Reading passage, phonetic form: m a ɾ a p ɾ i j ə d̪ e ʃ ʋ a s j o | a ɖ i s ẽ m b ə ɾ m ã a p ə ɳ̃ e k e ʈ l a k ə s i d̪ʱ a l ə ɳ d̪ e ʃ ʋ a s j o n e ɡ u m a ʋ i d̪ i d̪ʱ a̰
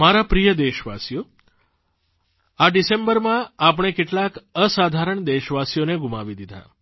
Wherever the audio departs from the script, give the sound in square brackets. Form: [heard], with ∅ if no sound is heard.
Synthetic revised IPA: m a ɾ a p ɾ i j ə d̪ e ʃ ʋ a s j o | a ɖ i s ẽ m b ə ɾ m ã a p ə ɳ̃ e k e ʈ l a k ə s [a] d̪ʱ a [ɾ] ə ɳ d̪ e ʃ ʋ a s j o n e ɡ u m a ʋ i d̪ i d̪ʱ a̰